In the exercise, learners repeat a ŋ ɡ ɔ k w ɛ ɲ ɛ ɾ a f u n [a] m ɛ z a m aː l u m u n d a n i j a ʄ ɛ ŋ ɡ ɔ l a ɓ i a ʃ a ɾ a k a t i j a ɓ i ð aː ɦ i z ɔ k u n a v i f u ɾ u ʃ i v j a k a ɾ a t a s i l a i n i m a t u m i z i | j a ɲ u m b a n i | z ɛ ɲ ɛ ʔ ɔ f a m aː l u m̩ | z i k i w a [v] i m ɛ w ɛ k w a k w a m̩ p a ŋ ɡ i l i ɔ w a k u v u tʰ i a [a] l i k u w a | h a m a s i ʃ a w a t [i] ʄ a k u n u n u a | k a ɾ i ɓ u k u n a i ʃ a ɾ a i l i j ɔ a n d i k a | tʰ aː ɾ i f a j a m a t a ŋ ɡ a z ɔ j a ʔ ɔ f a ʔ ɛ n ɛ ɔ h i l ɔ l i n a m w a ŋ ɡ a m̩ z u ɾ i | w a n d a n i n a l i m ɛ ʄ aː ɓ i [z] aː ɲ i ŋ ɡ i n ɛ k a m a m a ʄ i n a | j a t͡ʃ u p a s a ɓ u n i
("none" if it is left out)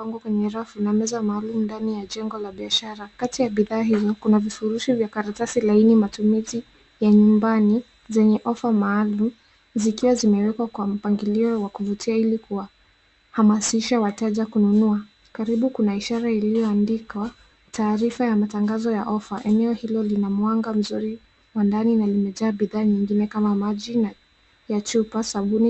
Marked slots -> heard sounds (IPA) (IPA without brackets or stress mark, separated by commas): a, z, i, ɛ, ð